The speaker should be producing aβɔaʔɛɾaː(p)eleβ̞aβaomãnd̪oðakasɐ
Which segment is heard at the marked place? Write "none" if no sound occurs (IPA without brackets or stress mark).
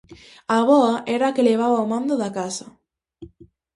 k